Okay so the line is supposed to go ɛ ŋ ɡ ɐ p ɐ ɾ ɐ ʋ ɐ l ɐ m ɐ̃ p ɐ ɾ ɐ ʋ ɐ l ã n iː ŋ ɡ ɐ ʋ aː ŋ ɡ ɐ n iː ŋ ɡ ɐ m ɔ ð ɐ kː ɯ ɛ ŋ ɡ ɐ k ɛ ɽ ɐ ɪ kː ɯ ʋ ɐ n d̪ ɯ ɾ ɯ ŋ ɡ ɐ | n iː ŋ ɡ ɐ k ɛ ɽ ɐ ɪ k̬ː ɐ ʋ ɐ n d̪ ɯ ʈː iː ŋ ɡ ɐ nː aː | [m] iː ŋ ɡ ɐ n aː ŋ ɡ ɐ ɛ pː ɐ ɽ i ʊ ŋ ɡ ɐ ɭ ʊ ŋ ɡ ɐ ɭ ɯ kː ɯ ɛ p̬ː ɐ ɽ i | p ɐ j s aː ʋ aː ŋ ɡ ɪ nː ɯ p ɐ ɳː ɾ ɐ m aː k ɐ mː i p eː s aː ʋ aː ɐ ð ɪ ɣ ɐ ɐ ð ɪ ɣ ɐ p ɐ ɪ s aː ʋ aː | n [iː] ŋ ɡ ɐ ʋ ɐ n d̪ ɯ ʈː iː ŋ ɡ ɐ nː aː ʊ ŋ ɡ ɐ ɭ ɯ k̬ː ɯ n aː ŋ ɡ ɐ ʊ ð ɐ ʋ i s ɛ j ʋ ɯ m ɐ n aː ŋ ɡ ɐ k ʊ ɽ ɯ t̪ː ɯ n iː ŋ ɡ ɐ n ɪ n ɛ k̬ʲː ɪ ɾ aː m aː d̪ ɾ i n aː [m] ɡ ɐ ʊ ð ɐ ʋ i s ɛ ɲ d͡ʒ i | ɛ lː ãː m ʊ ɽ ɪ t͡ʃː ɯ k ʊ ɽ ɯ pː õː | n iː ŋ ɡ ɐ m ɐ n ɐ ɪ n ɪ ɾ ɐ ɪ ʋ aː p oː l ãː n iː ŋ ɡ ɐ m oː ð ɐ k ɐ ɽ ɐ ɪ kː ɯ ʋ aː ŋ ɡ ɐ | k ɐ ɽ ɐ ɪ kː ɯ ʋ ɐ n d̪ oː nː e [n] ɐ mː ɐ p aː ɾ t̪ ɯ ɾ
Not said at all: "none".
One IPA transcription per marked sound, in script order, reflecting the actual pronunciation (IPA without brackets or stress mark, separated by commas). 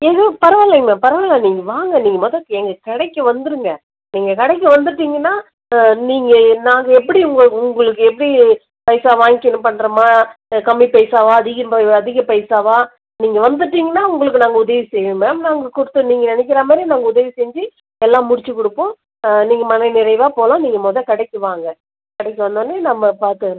n, iː, ŋ, n